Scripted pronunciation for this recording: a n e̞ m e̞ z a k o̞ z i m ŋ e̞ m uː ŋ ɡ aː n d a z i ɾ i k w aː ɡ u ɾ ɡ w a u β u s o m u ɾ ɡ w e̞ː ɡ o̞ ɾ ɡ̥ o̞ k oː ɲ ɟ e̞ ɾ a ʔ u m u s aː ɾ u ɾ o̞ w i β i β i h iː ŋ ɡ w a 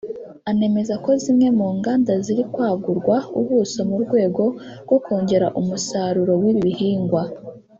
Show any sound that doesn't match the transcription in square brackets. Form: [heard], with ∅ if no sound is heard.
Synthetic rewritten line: a n e̞ m e̞ z a k o̞ z i m ŋ e̞ m uː ŋ ɡ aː n d a z i ɾ i k w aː ɡ u ɾ ɡ w a u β u s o m u ɾ ɡ w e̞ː ɡ o̞ ɾ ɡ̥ o̞ k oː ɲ ɟ e̞ ɾ a ʔ u m u s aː ɾ u ɾ o̞ w i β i β i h iː ŋ ɡ w a